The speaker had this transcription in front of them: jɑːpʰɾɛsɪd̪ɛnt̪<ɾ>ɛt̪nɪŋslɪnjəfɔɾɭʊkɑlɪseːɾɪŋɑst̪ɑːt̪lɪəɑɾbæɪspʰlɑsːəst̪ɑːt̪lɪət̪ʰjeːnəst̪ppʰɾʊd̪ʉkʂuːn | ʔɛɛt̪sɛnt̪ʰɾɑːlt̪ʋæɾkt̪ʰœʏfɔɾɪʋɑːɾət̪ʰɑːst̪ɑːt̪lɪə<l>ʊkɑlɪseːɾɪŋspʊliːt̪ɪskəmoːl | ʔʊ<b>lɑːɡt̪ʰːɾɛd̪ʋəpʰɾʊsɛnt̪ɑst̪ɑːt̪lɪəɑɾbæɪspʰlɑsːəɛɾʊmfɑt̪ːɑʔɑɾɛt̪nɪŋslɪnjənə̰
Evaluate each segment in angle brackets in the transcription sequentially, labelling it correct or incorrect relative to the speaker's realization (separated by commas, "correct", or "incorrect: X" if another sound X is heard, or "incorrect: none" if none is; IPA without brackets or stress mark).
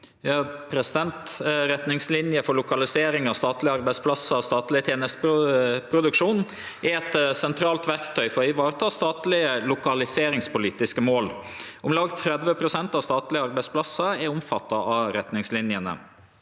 correct, correct, incorrect: m